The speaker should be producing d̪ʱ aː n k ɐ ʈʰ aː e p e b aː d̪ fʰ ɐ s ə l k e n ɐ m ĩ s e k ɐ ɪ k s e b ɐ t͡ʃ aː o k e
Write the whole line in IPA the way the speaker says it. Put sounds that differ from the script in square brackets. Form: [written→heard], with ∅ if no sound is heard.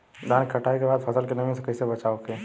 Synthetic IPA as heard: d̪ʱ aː n k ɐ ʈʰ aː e [p→k] e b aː d̪ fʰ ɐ s ə l k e n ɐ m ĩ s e k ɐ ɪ [k→∅] s e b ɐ t͡ʃ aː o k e